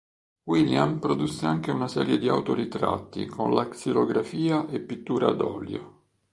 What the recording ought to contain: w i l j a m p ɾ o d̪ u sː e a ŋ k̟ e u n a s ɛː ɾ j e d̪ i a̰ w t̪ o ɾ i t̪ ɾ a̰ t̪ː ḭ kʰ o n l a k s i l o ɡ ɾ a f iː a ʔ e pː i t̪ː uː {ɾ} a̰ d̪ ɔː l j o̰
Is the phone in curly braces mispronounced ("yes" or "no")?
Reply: no